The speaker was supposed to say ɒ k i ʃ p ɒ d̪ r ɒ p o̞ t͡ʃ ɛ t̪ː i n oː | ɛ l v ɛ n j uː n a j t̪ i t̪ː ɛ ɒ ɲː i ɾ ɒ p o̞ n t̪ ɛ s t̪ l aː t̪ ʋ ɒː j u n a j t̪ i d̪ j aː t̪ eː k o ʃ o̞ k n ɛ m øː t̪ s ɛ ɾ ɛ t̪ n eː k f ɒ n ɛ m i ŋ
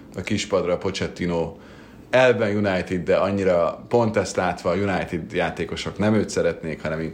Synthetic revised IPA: ɒ k i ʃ p ɒ d̪ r ɒ p o̞ t͡ʃ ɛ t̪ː i n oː | ɛ l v ɛ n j u n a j t̪ i d̪ː ɛ ɒ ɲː i ɾ ɒ p o̞ n t̪ ɛ s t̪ l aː t̪ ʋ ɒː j u n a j t̪ i d̪ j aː t̪ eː k o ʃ o̞ k n ɛ m øː t̪ s ɛ ɾ ɛ t̪ n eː k h ɒ n ɛ m i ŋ